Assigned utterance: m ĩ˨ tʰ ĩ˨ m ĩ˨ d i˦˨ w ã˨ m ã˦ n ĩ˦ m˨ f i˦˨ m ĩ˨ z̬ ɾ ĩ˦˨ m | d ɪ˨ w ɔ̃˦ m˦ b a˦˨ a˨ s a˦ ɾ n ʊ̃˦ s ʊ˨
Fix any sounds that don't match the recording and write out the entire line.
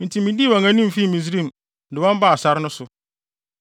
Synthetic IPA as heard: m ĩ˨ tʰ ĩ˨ m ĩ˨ d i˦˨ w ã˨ ŋ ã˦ n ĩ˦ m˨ f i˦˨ m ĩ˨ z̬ ɾ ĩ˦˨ m | d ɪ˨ w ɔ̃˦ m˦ b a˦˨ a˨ s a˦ ɾ n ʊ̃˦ s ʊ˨